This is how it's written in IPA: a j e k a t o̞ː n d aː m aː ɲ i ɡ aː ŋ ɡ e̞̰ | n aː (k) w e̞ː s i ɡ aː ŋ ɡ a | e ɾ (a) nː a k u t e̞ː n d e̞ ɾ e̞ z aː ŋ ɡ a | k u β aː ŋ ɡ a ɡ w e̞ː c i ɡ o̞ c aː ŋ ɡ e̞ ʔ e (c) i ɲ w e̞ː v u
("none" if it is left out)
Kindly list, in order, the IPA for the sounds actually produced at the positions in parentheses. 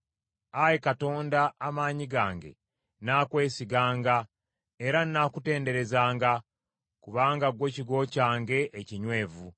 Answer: k, a, c

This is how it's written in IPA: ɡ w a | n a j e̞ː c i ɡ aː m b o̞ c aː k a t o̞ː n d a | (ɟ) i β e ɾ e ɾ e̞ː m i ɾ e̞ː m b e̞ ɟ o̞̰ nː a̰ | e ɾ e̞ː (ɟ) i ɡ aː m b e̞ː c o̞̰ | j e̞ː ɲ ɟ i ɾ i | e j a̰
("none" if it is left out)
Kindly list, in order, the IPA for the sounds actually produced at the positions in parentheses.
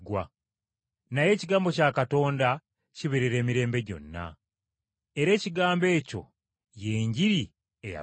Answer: c, c

